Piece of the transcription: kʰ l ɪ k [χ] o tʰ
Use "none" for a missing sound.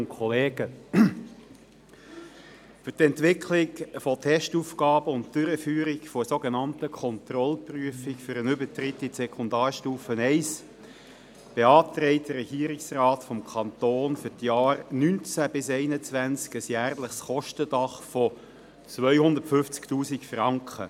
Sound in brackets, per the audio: f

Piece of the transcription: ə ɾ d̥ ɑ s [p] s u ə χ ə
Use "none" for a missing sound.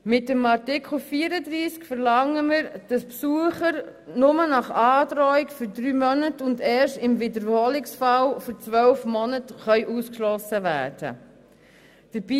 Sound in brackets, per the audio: p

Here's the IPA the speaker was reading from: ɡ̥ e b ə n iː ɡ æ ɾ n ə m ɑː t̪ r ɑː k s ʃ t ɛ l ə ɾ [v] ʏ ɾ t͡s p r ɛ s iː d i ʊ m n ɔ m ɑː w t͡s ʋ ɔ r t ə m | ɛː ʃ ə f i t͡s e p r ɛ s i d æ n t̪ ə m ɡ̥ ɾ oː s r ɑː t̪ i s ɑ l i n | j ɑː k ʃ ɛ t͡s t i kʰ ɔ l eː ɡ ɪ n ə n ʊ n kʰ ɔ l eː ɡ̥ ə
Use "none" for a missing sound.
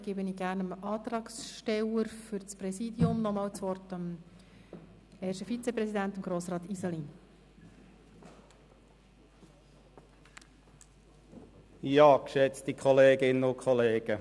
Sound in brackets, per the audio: f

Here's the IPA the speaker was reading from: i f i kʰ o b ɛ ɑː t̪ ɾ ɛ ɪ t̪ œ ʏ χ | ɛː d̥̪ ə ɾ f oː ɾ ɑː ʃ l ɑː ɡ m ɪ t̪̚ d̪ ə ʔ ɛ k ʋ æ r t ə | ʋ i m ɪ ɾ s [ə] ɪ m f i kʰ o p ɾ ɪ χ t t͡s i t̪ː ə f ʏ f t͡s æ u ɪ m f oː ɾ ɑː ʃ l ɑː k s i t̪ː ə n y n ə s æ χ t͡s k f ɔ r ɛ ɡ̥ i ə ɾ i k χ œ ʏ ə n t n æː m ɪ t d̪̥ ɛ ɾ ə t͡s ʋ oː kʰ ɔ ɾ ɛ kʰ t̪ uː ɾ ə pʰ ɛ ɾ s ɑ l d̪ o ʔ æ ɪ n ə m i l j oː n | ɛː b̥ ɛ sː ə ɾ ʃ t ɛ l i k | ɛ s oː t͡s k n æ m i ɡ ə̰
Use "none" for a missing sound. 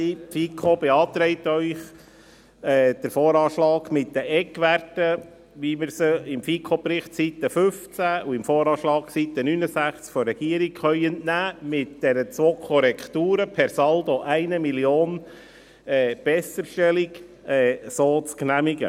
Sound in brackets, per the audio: ə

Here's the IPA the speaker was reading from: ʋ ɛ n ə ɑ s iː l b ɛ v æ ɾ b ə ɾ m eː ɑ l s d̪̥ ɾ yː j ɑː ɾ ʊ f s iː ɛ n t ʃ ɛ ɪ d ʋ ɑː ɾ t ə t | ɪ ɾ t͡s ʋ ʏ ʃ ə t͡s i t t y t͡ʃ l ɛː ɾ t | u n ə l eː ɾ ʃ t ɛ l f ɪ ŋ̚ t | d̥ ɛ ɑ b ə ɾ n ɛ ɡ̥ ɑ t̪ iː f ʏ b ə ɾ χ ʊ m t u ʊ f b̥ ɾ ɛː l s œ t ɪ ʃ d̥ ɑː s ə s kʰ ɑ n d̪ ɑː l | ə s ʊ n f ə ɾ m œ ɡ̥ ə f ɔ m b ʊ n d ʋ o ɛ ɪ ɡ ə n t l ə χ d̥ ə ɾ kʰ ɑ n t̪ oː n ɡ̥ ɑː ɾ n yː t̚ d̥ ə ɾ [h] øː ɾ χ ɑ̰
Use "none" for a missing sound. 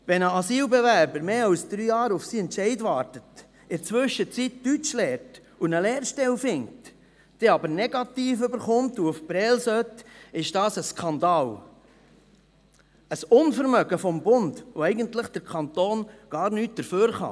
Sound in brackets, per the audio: f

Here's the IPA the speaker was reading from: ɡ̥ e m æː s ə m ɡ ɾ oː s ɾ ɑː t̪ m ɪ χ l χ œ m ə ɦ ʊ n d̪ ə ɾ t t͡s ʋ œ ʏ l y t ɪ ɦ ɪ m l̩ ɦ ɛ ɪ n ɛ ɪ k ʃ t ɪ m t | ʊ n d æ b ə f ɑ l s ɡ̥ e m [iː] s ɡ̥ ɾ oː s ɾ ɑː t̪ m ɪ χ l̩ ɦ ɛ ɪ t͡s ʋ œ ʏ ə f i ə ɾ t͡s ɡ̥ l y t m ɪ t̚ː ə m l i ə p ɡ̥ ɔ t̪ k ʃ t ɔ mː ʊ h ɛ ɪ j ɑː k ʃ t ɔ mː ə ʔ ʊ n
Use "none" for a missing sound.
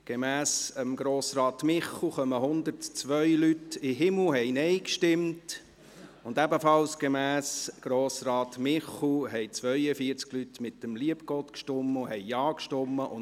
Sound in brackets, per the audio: æː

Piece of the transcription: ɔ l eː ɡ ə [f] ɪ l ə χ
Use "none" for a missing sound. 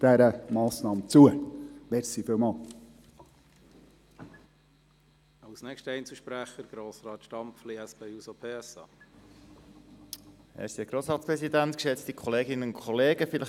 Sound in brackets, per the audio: f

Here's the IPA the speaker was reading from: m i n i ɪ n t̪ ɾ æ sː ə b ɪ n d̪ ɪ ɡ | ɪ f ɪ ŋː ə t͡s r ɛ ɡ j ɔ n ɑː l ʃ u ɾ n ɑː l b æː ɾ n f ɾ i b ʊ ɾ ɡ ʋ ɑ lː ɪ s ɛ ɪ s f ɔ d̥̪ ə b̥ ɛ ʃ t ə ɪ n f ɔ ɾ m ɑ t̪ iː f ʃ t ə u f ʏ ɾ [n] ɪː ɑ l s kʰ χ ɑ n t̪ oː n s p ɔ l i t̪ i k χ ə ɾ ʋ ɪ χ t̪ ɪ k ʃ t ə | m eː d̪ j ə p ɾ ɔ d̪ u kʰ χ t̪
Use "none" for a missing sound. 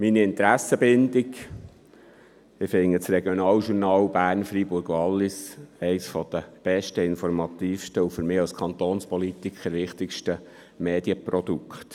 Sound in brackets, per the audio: m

